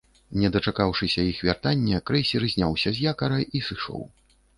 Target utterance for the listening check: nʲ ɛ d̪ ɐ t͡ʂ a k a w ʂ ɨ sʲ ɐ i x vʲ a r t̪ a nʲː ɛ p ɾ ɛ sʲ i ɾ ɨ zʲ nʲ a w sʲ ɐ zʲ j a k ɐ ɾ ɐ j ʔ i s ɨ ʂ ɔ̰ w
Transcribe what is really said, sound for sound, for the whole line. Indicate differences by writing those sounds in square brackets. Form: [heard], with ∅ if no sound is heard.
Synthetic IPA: nʲ ɛ d̪ ɐ t͡ʂ a k a w ʂ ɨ sʲ ɐ i x vʲ a r t̪ a nʲː ɛ [k] ɾ ɛ sʲ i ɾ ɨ zʲ nʲ a w sʲ ɐ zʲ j a k ɐ ɾ ɐ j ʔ i s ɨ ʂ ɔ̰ w